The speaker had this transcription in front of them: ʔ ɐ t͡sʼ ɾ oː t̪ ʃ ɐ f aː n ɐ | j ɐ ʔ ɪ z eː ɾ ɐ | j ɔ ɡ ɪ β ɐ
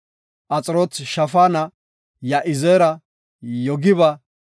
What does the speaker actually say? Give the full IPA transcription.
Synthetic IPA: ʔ ɐ t͡sʼ ɾ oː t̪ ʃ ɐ f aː n ɐ | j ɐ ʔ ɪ z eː ɾ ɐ | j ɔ ɡ ɪ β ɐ